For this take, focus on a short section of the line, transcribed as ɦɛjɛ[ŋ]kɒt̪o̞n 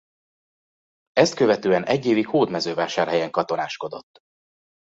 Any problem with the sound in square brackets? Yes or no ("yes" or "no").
no